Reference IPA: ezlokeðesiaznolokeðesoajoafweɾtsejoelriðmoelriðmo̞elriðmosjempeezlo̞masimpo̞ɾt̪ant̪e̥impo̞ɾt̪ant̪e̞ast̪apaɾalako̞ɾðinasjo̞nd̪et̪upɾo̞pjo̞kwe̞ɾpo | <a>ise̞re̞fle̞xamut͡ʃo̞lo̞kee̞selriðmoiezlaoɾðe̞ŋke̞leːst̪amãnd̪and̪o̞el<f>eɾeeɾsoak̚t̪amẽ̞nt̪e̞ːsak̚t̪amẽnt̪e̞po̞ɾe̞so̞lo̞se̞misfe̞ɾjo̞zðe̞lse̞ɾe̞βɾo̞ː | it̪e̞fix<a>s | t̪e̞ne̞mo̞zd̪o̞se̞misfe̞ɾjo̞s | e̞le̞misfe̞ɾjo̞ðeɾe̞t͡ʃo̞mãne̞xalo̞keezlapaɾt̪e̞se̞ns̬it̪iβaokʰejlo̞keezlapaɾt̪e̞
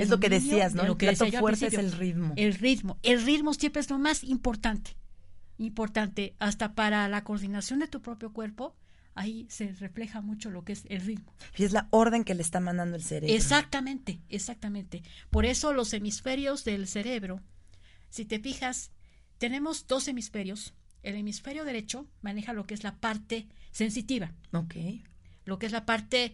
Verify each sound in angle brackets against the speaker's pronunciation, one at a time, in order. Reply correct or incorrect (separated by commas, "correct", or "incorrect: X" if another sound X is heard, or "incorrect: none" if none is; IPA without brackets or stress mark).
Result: correct, incorrect: s, correct